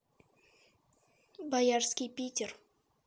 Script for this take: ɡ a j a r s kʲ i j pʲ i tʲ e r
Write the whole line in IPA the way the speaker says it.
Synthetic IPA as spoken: b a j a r s kʲ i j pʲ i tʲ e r